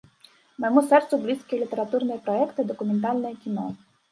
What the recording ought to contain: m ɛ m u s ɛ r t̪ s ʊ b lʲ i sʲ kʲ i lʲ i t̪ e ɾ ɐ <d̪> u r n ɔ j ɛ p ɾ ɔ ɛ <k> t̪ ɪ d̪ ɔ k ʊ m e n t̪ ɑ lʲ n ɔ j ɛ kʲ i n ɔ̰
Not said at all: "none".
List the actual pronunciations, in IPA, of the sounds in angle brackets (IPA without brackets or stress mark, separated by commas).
t̪, k